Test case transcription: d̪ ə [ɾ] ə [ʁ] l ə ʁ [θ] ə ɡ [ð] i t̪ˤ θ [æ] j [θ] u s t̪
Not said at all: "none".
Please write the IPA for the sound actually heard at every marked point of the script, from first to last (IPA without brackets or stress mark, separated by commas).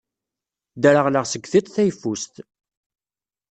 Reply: ɾ, ʁ, s, θ, æ, f